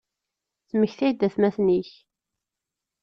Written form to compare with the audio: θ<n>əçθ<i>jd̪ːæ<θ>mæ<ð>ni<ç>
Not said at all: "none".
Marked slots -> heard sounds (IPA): m, æ, θ, θ, ç

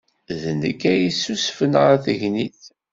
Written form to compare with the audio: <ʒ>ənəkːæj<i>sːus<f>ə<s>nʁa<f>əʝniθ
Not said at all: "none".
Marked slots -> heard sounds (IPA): ð, i, f, none, θ

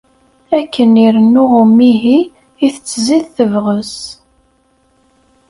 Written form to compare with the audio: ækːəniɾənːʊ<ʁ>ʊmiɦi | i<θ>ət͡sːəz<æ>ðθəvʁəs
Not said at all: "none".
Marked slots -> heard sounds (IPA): ʁ, θ, i

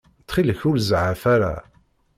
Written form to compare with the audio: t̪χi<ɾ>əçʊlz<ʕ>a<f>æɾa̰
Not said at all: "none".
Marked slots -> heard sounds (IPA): l, ʕ, f

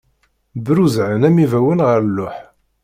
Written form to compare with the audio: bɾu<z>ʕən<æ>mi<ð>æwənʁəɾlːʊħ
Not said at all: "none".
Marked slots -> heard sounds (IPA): z, æ, v

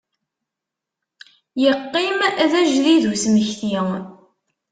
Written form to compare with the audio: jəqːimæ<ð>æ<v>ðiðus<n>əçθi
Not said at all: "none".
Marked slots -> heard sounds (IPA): ð, ʒ, m

